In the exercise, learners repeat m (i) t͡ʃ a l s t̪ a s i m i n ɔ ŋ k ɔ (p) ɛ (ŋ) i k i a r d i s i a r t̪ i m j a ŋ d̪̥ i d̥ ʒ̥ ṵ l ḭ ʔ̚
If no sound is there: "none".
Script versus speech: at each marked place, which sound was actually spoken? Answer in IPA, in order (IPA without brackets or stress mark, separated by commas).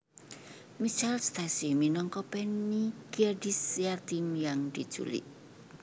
i, p, n